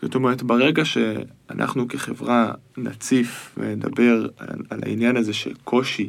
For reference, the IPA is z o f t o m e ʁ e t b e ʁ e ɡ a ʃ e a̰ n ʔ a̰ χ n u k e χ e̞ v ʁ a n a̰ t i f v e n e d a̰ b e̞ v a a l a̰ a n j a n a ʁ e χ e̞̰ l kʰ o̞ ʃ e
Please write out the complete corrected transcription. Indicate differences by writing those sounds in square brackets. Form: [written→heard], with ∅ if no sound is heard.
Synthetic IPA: z o [f→∅] t o m e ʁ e t b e ʁ e ɡ a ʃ e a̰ n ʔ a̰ χ n u k e χ e̞ v ʁ a n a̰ [t→t͡s] i f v e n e d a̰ b e̞ [v→ʁ] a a l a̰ [a→i] n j a n a [ʁ→z] e [χ→ʃ] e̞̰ l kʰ o̞ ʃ [e→i]